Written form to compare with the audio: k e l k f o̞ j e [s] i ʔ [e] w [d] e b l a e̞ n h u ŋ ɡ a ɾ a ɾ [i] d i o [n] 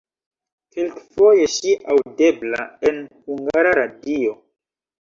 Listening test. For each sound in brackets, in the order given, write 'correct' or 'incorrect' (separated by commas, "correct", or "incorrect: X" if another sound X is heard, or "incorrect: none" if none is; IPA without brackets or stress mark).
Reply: incorrect: ʃ, incorrect: a, correct, incorrect: a, incorrect: none